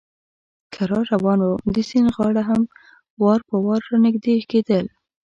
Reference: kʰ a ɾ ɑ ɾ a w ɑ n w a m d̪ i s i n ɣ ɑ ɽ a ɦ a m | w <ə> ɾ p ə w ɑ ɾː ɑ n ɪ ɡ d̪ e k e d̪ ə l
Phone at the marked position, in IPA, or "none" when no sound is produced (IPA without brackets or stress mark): ɑ